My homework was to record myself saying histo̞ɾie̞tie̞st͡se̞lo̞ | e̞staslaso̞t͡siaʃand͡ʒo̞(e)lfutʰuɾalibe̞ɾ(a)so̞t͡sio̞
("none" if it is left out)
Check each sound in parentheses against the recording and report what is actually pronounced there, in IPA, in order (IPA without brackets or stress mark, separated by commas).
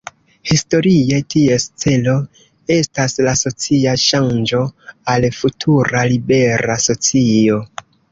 a, a